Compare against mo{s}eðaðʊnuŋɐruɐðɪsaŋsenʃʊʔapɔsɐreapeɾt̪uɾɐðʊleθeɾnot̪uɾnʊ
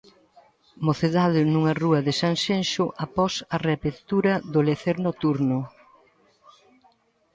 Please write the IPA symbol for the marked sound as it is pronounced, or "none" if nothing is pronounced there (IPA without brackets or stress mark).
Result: θ